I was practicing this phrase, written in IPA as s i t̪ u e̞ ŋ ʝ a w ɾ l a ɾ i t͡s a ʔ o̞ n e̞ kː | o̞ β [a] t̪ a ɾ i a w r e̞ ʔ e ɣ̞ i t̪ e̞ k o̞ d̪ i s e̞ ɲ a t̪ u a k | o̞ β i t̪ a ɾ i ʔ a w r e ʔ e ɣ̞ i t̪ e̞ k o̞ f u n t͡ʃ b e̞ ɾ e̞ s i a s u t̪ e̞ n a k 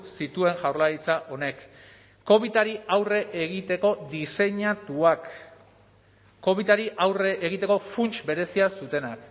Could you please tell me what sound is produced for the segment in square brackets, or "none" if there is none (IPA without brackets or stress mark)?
i